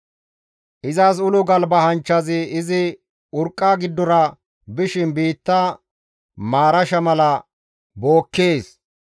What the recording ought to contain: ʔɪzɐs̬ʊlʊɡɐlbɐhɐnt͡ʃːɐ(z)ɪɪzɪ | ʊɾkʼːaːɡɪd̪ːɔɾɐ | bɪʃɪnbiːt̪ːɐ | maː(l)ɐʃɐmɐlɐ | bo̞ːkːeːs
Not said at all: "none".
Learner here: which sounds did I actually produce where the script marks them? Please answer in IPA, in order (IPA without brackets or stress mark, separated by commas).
z, ɾ